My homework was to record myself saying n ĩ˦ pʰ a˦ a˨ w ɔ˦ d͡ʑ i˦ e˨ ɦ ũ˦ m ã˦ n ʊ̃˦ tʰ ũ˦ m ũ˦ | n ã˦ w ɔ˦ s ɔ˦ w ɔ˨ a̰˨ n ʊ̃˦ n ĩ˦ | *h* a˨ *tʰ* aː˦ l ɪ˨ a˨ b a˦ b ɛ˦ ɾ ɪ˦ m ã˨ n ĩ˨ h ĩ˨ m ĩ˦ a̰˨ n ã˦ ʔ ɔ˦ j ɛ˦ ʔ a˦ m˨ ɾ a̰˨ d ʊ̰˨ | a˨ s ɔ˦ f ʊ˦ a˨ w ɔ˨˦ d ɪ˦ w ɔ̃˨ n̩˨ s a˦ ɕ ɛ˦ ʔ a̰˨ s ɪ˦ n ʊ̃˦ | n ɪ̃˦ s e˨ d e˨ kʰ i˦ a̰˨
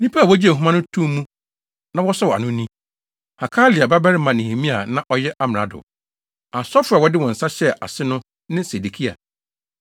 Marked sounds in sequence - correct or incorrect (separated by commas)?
correct, incorrect